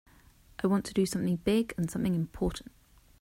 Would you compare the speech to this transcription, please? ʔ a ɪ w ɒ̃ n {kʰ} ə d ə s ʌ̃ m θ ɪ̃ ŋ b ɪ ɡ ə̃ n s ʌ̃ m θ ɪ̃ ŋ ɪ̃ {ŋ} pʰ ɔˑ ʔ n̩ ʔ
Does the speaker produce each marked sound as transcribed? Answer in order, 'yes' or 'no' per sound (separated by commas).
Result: no, no